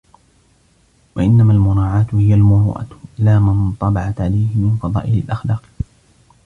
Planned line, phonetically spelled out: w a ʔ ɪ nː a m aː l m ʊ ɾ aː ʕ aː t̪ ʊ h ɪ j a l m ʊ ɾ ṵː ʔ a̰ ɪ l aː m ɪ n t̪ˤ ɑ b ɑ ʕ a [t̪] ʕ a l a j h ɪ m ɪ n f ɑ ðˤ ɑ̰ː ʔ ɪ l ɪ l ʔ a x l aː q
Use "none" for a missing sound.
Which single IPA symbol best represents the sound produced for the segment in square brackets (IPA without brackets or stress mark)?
t̪